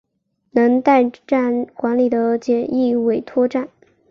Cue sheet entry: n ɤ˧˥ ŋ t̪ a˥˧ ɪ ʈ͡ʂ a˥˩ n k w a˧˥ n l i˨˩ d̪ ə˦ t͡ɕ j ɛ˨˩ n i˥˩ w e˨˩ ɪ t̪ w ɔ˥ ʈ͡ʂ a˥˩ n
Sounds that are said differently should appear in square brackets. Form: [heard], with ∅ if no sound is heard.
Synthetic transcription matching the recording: n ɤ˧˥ ŋ t̪ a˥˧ ɪ ʈ͡ʂ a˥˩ n k w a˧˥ n l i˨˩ d̪ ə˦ t͡ɕ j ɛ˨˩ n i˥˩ w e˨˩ ɪ [t̪ʰ] w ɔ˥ ʈ͡ʂ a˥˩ n